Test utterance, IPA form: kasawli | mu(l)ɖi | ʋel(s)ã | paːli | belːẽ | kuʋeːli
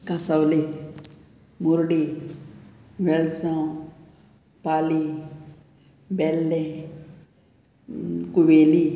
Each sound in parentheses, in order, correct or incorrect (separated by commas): incorrect, correct